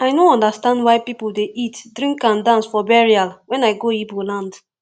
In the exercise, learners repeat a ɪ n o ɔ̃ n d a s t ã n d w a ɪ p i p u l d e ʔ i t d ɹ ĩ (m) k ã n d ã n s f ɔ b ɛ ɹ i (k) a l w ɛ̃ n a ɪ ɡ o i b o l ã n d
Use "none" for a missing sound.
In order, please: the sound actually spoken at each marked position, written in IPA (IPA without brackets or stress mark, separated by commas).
ŋ, none